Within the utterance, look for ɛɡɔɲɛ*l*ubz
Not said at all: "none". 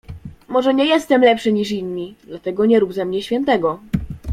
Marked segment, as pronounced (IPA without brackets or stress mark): ɾ